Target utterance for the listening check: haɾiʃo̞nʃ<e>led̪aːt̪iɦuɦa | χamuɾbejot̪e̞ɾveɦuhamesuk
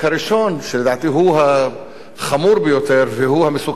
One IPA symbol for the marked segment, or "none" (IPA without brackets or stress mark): e